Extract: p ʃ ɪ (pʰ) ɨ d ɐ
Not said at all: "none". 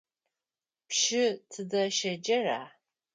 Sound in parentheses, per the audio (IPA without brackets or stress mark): tʰ